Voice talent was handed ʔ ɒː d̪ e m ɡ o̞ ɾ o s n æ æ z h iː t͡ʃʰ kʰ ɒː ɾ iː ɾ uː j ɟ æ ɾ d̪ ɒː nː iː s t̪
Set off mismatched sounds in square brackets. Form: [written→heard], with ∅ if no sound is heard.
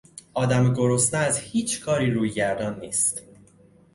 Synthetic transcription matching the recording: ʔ ɒː d̪ [e→æ] m ɡ o̞ ɾ o s n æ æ z h iː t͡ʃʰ kʰ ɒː ɾ iː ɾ uː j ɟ æ ɾ d̪ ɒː nː iː s t̪